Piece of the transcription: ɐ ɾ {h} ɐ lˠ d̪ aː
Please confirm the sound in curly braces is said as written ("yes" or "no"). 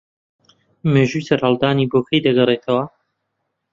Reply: yes